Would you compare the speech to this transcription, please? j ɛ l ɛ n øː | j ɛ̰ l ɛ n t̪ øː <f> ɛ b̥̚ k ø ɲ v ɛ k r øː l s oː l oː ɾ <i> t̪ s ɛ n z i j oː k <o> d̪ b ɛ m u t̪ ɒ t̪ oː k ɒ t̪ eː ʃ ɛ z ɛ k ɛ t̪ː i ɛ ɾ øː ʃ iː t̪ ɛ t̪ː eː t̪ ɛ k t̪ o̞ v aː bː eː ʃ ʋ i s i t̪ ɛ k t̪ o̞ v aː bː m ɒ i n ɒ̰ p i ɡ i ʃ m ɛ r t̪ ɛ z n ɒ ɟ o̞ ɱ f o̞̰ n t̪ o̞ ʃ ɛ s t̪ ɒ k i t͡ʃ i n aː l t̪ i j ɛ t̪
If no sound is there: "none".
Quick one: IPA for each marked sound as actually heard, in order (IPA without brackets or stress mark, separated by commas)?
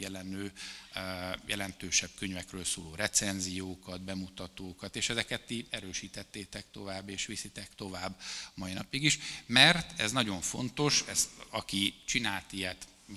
ʃ, ɛ, ɒ